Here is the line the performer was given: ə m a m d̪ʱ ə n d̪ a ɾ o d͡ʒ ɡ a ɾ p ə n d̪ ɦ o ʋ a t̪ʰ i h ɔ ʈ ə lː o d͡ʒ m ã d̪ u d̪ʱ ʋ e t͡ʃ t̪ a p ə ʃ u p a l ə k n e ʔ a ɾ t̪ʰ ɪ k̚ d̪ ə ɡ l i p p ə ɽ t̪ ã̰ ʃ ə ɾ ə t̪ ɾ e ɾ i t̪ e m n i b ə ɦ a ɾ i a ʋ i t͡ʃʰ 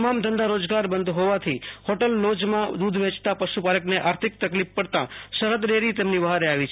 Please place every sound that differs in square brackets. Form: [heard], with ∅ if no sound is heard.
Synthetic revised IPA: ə m a m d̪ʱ ə n d̪ a ɾ o d͡ʒ ɡ a ɾ [b] ə n d̪ ɦ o ʋ a t̪ʰ i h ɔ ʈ ə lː o d͡ʒ m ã d̪ u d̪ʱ ʋ e t͡ʃ t̪ a p ə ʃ u p a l ə k n e ʔ a ɾ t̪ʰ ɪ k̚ [t̪] ə [k] l i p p ə ɽ t̪ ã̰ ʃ ə ɾ ə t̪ ɾ e ɾ i t̪ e m n i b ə ɦ a ɾ [e] a ʋ i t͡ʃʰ

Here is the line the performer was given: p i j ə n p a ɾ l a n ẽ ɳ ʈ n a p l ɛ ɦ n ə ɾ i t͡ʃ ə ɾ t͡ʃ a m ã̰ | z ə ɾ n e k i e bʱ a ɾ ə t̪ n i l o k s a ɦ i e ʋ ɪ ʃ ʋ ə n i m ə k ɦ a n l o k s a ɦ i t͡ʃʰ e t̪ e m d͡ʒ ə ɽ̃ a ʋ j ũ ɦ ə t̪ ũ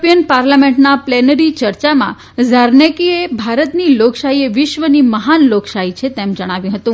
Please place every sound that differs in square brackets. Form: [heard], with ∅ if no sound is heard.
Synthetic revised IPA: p i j ə n p a ɾ l a [m] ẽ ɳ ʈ n a p l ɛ [∅] n ə ɾ i t͡ʃ ə ɾ t͡ʃ a m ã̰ | z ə ɾ n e k i e bʱ a ɾ ə t̪ n i l o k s a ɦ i e ʋ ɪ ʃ ʋ ə n i m ə [∅] ɦ a n l o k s a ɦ i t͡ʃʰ e t̪ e m d͡ʒ ə ɽ̃ a ʋ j ũ ɦ ə t̪ ũ

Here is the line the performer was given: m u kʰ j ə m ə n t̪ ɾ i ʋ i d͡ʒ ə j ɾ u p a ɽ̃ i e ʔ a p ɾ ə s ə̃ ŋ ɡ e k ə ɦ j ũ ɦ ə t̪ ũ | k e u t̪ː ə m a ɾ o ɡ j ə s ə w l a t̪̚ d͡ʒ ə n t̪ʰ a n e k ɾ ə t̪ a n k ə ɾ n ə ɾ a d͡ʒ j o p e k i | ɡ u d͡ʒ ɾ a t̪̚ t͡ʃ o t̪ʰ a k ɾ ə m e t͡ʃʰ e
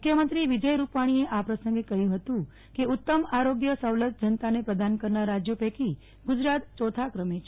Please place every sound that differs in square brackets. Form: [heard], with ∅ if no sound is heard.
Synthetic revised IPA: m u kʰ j ə m ə n t̪ ɾ i ʋ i d͡ʒ ə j ɾ u p a ɽ̃ i e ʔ a p ɾ ə s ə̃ ŋ ɡ e k ə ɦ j ũ ɦ ə t̪ ũ | k e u t̪ː ə m a ɾ o ɡ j ə s ə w l [ə] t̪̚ d͡ʒ ə n [t̪] a n e [p] ɾ ə [d̪] a n k ə ɾ n [a] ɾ a d͡ʒ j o p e k i | ɡ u d͡ʒ ɾ a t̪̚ t͡ʃ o t̪ʰ a k ɾ ə m e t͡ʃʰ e

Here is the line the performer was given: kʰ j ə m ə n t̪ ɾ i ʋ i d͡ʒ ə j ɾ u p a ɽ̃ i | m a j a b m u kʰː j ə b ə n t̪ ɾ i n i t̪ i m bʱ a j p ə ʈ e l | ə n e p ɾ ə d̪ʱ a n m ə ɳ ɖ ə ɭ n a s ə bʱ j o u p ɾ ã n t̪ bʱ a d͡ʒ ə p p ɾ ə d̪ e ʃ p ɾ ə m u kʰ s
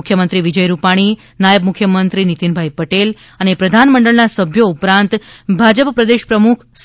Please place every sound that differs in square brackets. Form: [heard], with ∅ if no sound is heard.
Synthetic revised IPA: kʰ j ə m ə n t̪ ɾ i ʋ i d͡ʒ ə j ɾ u p a ɽ̃ i | [n] a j [ə] b m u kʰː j ə [m] ə n t̪ ɾ i n i t̪ i [n] bʱ a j p ə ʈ e l | ə n e p ɾ ə d̪ʱ a n m ə ɳ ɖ ə ɭ n a s ə bʱ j o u p ɾ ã n t̪ bʱ a d͡ʒ ə p p ɾ ə d̪ e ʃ p ɾ ə m u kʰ s

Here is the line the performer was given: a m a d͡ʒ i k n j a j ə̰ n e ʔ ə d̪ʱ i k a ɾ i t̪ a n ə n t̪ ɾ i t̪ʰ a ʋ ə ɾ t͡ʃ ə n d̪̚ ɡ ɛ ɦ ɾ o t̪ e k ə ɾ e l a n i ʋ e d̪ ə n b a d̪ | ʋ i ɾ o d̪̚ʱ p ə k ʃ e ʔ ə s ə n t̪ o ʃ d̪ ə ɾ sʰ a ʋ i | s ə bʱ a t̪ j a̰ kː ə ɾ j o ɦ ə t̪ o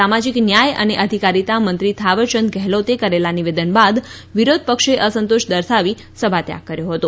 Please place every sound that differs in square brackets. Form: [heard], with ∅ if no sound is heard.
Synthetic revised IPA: a m a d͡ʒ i k n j a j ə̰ n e ʔ ə d̪ʱ i k a ɾ i t̪ a [m] ə n t̪ ɾ i t̪ʰ a ʋ ə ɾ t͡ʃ ə n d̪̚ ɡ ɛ ɦ [l] o t̪ e k ə ɾ e l a n i ʋ e d̪ ə n b a d̪ | ʋ i ɾ o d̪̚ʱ p ə k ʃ e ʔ ə s ə n t̪ o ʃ d̪ ə ɾ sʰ a ʋ i | s ə bʱ a t̪ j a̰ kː ə ɾ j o ɦ ə t̪ o

